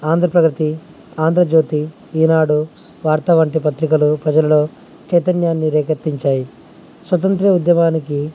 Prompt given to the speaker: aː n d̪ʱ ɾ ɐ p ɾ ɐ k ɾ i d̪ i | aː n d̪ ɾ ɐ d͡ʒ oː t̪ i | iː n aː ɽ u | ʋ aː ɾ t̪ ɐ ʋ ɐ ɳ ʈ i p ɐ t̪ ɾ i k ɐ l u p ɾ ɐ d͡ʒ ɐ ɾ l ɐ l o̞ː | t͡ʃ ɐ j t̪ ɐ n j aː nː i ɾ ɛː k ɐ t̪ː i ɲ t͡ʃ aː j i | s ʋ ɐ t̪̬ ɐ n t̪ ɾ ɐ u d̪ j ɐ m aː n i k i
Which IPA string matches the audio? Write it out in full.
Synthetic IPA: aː n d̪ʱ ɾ ɐ p ɾ ɐ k ɾ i t̪ i | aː n d̪ ɾ ɐ d͡ʒ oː t̪ i | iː n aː ɽ u | ʋ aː ɾ t̪ ɐ ʋ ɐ ɳ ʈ i p ɐ t̪ ɾ i k ɐ l u p ɾ ɐ d͡ʒ ɐ l ɐ l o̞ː | t͡ʃ ɐ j t̪ ɐ n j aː nː i ɾ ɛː k ɐ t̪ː i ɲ t͡ʃ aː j i | s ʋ ɐ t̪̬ ɐ n t̪ ɾ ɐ u d̪ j ɐ m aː n i k i